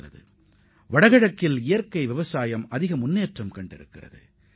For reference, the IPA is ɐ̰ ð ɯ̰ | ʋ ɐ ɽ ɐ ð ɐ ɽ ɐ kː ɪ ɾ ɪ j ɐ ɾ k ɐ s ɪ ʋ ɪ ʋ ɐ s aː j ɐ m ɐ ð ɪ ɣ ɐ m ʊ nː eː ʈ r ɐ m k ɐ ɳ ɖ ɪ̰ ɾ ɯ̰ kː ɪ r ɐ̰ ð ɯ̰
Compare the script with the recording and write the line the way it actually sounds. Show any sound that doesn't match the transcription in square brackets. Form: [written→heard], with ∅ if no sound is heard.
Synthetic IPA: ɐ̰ ð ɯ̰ | ʋ ɐ ɽ ɐ [ð→ɣ] ɐ ɽ ɐ kː ɪ [ɾ→l] ɪ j ɐ ɾ k ɐ [s→∅] ɪ ʋ ɪ ʋ ɐ s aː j ɐ m ɐ ð ɪ ɣ ɐ m ʊ nː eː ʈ r ɐ m k ɐ ɳ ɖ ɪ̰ ɾ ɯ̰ kː ɪ r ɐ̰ ð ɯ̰